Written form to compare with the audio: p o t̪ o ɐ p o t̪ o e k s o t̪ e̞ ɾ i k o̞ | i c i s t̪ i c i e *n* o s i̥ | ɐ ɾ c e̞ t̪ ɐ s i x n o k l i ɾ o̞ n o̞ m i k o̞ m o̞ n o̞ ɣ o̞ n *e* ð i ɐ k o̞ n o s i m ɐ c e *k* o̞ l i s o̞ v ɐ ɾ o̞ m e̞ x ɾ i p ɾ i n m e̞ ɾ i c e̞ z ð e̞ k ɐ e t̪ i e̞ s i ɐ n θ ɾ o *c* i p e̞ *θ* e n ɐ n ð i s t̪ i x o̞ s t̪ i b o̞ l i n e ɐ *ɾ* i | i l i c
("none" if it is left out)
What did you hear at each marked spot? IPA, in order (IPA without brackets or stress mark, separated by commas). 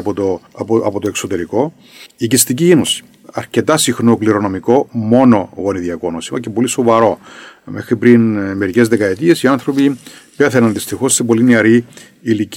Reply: n, i, p, p, θ, ɾ